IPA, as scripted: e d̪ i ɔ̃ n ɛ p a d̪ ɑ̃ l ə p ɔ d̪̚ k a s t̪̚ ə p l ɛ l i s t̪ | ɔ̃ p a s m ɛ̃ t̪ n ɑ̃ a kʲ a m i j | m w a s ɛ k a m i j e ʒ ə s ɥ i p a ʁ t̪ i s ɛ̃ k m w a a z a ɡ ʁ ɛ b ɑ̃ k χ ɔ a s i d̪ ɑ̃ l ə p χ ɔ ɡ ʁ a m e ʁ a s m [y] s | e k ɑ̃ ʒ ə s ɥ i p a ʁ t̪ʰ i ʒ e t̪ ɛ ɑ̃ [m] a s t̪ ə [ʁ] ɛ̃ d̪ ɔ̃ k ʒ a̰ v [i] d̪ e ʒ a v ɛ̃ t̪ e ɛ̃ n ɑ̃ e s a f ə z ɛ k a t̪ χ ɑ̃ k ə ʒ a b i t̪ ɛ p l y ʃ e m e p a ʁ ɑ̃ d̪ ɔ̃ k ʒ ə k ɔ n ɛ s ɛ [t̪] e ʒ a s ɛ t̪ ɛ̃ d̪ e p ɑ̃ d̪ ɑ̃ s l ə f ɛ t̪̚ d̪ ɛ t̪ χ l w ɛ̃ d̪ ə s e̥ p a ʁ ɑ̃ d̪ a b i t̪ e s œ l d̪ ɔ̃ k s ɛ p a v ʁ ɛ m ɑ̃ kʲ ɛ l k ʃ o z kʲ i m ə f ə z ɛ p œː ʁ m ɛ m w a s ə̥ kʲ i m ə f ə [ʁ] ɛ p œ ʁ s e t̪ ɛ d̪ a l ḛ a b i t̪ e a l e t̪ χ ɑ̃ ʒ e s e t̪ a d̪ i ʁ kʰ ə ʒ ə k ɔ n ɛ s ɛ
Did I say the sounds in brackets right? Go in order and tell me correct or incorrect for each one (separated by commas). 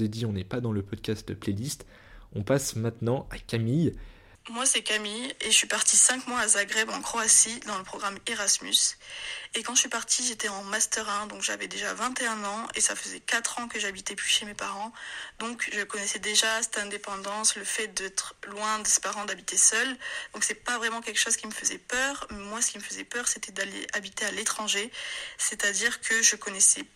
correct, correct, correct, incorrect, incorrect, incorrect